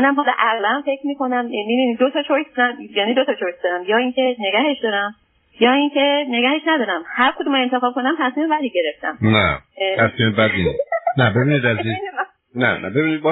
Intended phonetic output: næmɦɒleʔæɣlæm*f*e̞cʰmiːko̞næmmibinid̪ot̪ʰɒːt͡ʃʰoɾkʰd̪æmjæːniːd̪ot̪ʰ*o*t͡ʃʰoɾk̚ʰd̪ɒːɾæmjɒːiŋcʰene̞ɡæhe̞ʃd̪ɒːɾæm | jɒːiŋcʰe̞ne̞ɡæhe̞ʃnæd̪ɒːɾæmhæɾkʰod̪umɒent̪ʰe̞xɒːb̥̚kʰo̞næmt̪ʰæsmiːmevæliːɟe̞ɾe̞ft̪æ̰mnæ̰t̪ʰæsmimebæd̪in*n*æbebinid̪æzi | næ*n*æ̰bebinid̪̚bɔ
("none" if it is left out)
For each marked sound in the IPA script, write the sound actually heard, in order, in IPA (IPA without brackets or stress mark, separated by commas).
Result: f, ɒ, n, n